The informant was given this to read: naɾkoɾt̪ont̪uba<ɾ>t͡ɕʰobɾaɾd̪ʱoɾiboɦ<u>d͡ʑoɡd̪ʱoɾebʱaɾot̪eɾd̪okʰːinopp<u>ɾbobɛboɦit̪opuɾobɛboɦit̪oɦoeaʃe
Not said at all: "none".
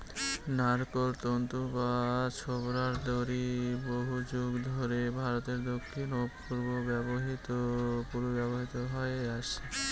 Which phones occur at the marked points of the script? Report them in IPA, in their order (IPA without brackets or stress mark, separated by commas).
none, u, u